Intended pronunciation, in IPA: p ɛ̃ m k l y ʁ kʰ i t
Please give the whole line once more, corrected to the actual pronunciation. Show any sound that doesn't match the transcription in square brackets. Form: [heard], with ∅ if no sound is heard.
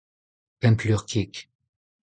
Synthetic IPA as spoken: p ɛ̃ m [p] l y ʁ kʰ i [k]